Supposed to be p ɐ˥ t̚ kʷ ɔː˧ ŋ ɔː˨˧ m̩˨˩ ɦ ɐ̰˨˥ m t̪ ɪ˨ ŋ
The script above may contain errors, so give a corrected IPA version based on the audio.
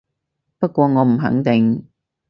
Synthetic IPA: p ɐ˥ t̚ kʷ ɔː˧ ŋ ɔː˨˧ m̩˨˩ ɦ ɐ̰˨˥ ŋ t̪ ɪ˨ ŋ